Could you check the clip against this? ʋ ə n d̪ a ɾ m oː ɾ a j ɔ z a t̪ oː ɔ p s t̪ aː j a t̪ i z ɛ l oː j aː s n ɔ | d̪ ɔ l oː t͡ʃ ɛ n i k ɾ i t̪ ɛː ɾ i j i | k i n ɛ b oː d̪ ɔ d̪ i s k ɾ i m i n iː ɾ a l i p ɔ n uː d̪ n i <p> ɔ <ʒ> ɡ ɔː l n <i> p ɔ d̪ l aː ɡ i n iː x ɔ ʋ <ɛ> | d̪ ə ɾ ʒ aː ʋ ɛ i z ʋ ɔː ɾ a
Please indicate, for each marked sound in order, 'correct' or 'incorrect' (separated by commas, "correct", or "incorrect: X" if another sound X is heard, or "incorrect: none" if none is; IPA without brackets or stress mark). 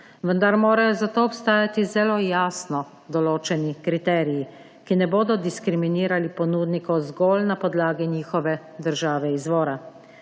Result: incorrect: k, incorrect: z, incorrect: a, correct